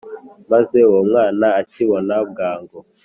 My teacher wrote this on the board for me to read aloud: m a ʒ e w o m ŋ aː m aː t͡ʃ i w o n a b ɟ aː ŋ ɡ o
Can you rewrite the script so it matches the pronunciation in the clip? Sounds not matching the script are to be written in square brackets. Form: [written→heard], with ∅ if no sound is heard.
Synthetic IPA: m a [ʒ→z] e w o m ŋ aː [m→n] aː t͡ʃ i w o n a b [ɟ→ɡ] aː ŋ ɡ o

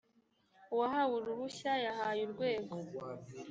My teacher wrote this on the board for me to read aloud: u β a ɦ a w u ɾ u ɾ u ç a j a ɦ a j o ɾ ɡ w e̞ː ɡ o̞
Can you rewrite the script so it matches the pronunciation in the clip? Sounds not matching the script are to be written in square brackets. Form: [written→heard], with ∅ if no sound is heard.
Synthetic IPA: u [β→w] a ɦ a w u ɾ u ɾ u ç a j a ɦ a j [o→u] ɾ ɡ w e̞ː ɡ o̞

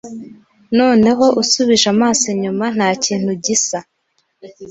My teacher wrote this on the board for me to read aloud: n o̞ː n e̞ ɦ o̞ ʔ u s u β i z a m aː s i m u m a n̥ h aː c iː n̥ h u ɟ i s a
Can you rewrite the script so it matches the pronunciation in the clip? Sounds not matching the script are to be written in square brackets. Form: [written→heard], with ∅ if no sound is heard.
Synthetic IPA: n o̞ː n e̞ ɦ o̞ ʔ u s u β i [z→ʒ] a m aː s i [m→ɲ] u m a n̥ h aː c iː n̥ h u ɟ i s a

